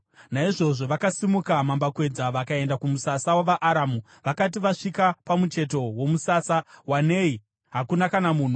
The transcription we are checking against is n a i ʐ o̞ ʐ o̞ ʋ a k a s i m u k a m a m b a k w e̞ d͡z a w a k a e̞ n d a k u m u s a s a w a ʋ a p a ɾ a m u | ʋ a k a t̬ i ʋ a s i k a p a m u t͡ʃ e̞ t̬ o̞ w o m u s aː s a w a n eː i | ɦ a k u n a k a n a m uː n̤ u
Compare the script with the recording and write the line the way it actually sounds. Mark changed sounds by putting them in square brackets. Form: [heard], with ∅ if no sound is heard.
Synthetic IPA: n a i ʐ o̞ ʐ o̞ ʋ a k a s i m u k a m a m b a k w e̞ d͡z a [ʋ] a k a e̞ n d a k u m u s a s a w a ʋ a [ʔ] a ɾ a m u | ʋ a k a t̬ i ʋ a [ʂ] i k a p a m u t͡ʃ e̞ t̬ o̞ w o m u s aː s a w a n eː i | ɦ a k u n a k a n a m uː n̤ u